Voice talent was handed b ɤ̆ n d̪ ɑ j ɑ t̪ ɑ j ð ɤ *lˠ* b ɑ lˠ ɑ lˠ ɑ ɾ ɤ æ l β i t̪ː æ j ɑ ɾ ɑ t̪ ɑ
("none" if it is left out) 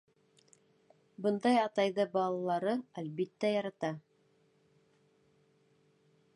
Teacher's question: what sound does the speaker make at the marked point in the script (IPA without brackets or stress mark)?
none